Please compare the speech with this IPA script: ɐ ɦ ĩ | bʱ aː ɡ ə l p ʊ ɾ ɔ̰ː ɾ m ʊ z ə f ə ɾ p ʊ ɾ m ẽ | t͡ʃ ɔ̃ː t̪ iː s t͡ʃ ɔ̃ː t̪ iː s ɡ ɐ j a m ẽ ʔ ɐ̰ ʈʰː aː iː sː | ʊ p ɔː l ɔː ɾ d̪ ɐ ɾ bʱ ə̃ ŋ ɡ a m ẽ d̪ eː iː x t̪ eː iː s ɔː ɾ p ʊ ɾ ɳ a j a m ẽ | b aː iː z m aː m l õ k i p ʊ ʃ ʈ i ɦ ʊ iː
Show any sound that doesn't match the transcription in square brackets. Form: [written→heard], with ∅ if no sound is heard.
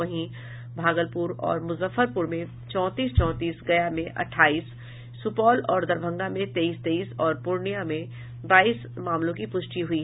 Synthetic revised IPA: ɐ ɦ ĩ | bʱ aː ɡ ə l p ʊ ɾ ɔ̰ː ɾ m ʊ z ə f ə ɾ p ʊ ɾ m ẽ | t͡ʃ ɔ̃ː t̪ iː s t͡ʃ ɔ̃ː t̪ iː s ɡ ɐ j a m ẽ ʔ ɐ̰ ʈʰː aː iː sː | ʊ p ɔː l ɔː ɾ d̪ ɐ ɾ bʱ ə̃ ŋ ɡ a m ẽ [d̪→t̪] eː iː [x→s] t̪ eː iː s ɔː ɾ p ʊ ɾ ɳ [a→i] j a m ẽ | b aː iː [z→s] m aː m l õ k i p ʊ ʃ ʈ i ɦ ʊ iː

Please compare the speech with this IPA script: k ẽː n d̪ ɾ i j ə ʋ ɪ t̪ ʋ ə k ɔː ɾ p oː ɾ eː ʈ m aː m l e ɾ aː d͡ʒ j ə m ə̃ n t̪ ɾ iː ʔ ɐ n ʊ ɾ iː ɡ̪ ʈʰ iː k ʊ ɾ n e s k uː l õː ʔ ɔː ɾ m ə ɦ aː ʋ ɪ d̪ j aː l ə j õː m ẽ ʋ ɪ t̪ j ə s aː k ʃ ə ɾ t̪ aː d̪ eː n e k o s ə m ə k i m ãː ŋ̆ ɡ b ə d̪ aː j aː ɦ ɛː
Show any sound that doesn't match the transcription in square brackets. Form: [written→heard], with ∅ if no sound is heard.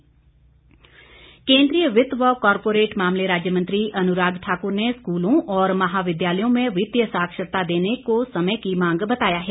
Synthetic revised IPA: k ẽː n d̪ ɾ i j ə ʋ ɪ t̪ ʋ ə k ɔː ɾ p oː ɾ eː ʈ m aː m l e ɾ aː d͡ʒ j ə m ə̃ n t̪ ɾ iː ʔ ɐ n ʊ ɾ [iː→aː] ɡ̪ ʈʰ [iː→aː] k ʊ ɾ n e s k uː l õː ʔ ɔː ɾ m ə ɦ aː ʋ ɪ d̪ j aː l ə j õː m ẽ ʋ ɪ t̪ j ə s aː k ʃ ə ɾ t̪ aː d̪ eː n e k o s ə m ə k i m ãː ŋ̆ ɡ b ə [d̪→t̪] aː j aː ɦ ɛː

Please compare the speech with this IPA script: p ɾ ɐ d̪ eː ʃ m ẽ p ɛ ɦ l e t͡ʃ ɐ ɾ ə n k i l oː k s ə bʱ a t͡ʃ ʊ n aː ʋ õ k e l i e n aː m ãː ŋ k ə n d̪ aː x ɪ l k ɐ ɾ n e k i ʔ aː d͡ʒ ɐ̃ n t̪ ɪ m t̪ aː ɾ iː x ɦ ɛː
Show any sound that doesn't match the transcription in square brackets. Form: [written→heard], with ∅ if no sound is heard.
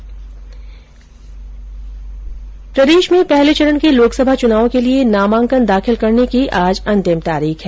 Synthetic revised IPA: p ɾ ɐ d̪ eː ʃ m ẽ p ɛ ɦ l e t͡ʃ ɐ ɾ ə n k [i→e] l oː k s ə bʱ a t͡ʃ ʊ n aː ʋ õ k e l i e n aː m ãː ŋ k ə n d̪ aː x ɪ l k ɐ ɾ n e k i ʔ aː d͡ʒ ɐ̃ n t̪ ɪ m t̪ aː ɾ iː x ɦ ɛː

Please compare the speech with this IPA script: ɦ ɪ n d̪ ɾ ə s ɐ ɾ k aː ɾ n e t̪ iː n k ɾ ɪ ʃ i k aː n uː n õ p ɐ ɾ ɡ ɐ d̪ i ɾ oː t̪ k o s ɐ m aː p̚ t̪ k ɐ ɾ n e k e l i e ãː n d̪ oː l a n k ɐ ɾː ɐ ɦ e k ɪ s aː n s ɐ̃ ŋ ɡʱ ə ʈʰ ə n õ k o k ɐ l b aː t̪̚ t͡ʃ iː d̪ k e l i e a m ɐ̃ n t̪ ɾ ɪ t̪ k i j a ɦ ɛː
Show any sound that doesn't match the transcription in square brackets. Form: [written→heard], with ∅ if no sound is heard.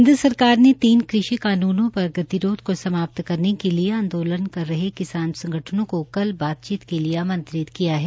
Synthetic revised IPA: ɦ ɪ n d̪ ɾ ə s ɐ ɾ k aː ɾ n e t̪ iː n k ɾ ɪ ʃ i k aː n uː n õ p ɐ ɾ ɡ ɐ [d̪→t̪] i ɾ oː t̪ k o s ɐ m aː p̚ t̪ k ɐ ɾ n e k e l i e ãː n d̪ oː l [a→ə] n k ɐ ɾː ɐ ɦ e k ɪ s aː n s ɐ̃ ŋ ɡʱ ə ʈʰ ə n õ k o k ɐ l b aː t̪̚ t͡ʃ iː [d̪→t̪] k e l i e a m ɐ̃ n t̪ ɾ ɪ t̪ k i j a ɦ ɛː

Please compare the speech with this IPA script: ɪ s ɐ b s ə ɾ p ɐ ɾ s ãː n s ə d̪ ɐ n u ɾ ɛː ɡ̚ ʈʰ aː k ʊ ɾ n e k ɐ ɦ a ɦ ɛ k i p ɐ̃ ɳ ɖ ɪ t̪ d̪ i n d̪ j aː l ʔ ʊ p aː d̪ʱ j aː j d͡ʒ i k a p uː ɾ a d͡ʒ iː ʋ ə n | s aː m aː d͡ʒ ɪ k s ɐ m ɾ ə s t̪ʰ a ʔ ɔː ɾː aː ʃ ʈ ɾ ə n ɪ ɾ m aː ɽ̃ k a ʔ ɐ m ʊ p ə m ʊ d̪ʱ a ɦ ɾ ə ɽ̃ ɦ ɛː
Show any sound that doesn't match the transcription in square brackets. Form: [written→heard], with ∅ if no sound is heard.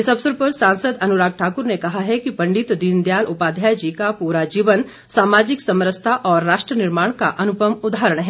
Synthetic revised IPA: ɪ s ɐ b s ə ɾ p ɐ ɾ s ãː n s ə d̪ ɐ n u ɾ [ɛː→aː] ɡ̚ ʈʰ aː k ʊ ɾ n e k ɐ ɦ a ɦ ɛ k i p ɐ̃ ɳ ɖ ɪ t̪ d̪ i n d̪ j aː l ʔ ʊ p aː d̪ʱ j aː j d͡ʒ i k a p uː ɾ a d͡ʒ iː ʋ ə n | s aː m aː d͡ʒ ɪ k s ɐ m ɾ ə s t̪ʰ a ʔ ɔː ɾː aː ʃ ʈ ɾ ə n ɪ ɾ m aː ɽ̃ k a ʔ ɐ [m→n] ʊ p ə m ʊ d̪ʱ a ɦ ɾ ə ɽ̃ ɦ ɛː

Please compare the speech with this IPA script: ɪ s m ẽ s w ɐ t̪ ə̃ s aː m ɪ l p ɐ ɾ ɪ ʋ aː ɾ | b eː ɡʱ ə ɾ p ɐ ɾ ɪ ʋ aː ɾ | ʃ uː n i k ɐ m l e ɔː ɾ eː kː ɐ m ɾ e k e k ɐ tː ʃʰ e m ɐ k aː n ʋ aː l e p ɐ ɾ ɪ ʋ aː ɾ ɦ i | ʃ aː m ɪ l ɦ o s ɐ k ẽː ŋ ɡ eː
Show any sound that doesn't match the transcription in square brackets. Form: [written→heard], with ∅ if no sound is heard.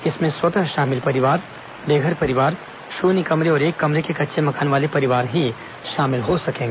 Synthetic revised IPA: ɪ s m ẽ s w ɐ t̪ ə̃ [s→ʃ] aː m ɪ l p ɐ ɾ ɪ ʋ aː ɾ | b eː ɡʱ ə ɾ p ɐ ɾ ɪ ʋ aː ɾ | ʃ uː n i k ɐ m [l→ɾ] e ɔː ɾ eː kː ɐ m ɾ e k e k ɐ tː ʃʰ e m ɐ k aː n ʋ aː l e p ɐ ɾ ɪ ʋ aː ɾ ɦ i | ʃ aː m ɪ l ɦ o s ɐ k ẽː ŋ ɡ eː

